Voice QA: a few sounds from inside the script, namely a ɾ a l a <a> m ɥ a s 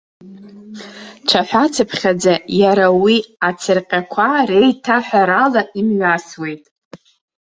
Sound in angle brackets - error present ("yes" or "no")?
yes